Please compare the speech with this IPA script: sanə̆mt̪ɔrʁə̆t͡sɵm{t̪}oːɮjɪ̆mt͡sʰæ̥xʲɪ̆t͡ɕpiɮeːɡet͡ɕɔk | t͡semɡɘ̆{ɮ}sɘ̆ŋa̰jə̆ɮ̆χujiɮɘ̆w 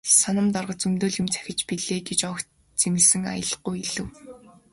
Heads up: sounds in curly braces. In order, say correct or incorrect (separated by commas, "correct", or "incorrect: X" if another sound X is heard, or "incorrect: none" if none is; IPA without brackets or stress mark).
correct, correct